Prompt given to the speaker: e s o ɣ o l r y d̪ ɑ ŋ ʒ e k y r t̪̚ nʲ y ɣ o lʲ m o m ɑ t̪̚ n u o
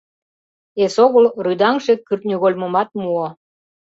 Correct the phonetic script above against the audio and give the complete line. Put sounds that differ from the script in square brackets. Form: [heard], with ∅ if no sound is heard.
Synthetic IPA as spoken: e s o ɣ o l r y d̪ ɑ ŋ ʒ e k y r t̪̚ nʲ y ɣ o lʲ m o m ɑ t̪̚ [m] u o